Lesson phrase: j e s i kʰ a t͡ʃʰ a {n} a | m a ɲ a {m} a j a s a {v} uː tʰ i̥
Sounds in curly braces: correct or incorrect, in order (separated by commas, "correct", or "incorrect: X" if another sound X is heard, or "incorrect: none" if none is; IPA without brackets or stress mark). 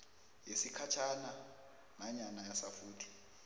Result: correct, incorrect: n, incorrect: f